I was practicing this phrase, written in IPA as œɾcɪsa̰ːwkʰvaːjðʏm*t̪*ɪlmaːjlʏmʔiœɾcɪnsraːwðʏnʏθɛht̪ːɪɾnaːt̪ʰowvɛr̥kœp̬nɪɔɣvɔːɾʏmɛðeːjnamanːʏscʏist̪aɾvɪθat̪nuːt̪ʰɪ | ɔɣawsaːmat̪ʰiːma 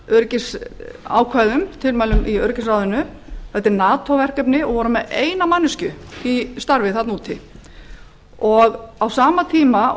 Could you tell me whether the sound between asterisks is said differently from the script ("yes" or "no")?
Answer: yes